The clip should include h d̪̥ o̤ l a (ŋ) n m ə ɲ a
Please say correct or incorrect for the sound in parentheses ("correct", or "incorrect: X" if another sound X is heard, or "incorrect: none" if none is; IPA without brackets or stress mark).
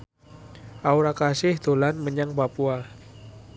incorrect: none